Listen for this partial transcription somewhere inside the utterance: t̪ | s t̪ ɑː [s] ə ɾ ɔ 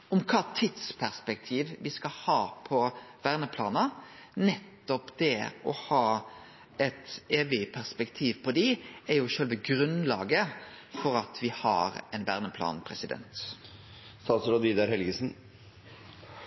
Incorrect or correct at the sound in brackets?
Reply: correct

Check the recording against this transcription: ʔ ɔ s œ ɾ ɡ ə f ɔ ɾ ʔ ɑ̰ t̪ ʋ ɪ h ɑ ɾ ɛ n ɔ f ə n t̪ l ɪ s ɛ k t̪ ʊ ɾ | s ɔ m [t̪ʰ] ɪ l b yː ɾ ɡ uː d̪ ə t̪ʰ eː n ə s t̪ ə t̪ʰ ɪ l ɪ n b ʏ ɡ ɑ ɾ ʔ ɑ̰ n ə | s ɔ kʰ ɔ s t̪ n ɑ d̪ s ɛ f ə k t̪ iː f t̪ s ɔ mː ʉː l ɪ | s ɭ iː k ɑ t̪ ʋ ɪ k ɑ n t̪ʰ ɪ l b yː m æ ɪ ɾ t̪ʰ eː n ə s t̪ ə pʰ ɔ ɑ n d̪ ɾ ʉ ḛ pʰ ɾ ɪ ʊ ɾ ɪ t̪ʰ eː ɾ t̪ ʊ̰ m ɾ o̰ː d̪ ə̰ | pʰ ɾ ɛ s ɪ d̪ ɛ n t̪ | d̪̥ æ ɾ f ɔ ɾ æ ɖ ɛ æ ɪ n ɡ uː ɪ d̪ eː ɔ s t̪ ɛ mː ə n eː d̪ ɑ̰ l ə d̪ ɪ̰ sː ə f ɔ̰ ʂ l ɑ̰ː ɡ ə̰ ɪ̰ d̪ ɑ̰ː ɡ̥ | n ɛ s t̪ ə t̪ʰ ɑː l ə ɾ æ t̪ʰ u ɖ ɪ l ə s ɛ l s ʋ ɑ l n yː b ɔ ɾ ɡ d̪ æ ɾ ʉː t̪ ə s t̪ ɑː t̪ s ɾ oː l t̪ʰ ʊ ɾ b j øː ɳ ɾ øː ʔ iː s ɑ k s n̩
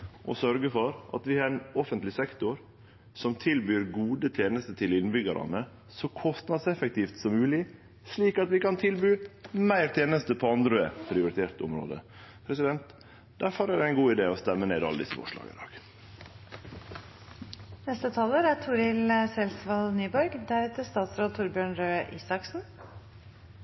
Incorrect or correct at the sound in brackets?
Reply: correct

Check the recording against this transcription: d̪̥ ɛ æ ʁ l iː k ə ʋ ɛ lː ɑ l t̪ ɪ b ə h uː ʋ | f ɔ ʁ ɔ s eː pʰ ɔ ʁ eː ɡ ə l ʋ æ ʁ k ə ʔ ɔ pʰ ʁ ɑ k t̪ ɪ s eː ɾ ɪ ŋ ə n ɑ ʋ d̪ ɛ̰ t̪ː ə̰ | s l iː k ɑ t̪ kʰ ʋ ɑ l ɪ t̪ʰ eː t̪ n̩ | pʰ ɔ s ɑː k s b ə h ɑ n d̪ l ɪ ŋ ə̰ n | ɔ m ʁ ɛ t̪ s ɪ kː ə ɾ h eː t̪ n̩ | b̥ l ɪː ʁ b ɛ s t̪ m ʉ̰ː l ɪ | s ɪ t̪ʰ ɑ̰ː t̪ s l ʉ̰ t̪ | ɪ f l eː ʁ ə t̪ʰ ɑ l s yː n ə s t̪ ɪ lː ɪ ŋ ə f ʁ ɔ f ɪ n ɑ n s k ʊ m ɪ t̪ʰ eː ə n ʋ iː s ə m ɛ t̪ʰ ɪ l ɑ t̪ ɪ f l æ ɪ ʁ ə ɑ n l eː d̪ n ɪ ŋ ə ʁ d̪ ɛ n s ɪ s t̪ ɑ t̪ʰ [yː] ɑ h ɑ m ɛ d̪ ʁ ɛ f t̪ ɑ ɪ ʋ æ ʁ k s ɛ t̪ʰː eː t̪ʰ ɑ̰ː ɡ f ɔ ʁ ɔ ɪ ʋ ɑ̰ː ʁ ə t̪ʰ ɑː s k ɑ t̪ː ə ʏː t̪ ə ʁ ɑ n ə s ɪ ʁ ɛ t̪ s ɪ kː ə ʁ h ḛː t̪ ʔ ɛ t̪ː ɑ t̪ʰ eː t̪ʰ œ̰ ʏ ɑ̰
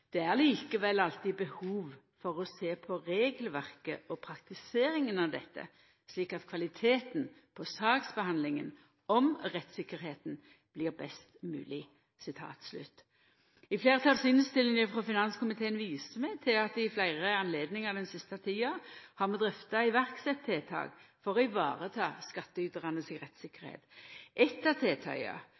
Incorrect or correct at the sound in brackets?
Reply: incorrect: iː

